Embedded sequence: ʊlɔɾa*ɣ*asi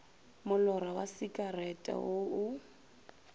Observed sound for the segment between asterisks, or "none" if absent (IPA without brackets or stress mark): w